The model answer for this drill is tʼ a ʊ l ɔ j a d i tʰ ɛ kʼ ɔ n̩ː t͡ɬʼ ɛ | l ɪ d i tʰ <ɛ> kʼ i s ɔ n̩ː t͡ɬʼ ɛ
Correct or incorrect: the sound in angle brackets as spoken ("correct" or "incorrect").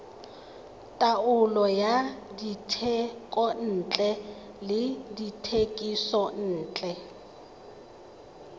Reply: incorrect